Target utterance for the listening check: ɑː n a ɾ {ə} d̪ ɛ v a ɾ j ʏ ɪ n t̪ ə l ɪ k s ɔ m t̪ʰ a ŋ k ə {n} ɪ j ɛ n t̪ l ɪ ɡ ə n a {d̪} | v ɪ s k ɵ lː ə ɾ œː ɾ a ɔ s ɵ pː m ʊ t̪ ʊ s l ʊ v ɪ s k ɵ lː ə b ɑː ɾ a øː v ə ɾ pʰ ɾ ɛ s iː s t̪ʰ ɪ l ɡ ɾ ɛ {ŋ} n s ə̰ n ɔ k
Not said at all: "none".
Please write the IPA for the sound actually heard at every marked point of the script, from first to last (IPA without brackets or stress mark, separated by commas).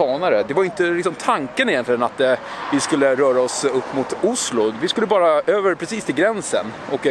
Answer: ə, n, t̪, none